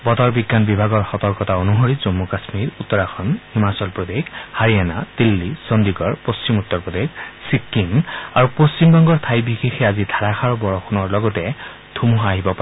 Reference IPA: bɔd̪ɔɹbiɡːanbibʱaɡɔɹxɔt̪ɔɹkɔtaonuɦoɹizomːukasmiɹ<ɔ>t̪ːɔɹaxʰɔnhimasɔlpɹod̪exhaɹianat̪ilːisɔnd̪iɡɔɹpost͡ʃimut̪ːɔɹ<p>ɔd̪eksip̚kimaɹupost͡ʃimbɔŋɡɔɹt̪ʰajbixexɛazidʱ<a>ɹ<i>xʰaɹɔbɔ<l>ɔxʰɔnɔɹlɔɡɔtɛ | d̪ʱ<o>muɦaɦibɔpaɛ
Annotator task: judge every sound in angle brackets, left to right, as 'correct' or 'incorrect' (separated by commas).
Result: incorrect, correct, correct, incorrect, incorrect, incorrect